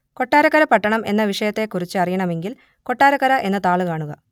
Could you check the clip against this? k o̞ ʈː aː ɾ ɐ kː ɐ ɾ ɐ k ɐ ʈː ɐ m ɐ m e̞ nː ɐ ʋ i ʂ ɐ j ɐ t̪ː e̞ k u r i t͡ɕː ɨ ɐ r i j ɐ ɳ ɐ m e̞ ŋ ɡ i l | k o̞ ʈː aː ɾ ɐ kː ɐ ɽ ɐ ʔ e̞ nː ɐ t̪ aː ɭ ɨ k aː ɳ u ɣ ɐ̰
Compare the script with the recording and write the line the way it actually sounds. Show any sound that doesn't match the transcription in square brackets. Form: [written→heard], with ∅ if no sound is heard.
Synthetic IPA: k o̞ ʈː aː ɾ ɐ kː ɐ ɾ ɐ [k→p] ɐ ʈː ɐ [m→ɳ] ɐ m e̞ nː ɐ ʋ i ʂ ɐ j ɐ t̪ː e̞ k u r i t͡ɕː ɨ ɐ r i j ɐ ɳ ɐ m e̞ ŋ ɡ i l | k o̞ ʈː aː ɾ ɐ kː ɐ [ɽ→ɾ] ɐ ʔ e̞ nː ɐ t̪ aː ɭ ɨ k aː ɳ u ɣ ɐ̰